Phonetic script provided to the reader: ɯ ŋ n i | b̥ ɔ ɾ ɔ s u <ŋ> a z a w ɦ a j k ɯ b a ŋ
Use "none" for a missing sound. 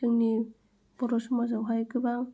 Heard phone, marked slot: m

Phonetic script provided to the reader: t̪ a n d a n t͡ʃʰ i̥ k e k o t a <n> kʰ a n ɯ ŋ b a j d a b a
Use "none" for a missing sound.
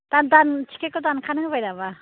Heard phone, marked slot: n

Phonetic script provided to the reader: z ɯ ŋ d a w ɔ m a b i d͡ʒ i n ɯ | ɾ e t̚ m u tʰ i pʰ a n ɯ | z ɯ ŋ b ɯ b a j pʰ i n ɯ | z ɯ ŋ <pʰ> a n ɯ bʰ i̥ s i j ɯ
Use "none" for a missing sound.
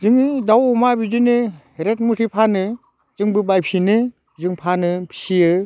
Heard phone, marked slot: pʰ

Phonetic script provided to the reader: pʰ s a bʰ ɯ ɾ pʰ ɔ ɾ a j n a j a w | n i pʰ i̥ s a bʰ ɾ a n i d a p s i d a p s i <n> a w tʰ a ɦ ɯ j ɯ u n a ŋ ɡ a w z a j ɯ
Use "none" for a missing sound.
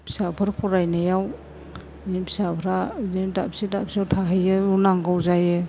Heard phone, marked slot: none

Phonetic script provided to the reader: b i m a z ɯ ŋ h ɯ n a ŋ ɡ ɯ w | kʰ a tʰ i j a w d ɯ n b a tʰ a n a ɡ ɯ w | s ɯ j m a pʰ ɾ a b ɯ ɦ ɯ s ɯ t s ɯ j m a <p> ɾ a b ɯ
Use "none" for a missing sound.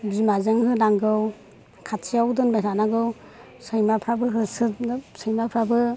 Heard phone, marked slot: pʰ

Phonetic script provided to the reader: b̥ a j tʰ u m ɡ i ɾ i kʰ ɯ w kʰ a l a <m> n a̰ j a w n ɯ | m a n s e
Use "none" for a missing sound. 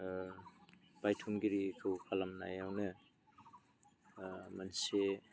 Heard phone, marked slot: m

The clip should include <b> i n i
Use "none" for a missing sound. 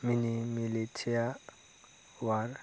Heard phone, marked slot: m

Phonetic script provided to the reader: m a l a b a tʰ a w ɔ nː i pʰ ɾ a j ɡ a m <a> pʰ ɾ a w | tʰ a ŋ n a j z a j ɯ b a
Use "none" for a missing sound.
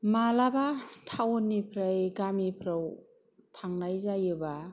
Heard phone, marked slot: i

